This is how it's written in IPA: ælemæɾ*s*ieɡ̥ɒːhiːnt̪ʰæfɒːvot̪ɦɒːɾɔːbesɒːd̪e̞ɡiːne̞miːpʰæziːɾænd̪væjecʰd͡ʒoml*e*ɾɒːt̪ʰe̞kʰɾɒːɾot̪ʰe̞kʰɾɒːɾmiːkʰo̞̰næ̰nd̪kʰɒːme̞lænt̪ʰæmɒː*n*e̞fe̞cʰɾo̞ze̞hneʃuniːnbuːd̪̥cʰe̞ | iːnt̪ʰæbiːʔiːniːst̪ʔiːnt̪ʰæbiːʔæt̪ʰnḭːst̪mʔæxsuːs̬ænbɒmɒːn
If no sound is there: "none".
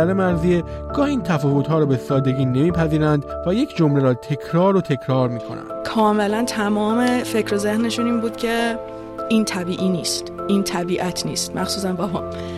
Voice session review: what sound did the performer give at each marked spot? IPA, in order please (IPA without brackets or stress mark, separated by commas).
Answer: z, e, m